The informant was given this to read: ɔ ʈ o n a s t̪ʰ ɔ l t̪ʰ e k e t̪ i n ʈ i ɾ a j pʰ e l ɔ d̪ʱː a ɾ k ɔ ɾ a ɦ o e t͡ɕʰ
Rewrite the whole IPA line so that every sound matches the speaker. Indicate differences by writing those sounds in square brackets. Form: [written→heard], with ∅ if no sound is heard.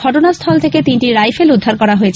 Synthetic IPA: ɔ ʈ o n a s t̪ʰ ɔ l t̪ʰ e k e t̪ i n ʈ i ɾ a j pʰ e l [ɔ→u] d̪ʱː a ɾ k ɔ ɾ a ɦ o e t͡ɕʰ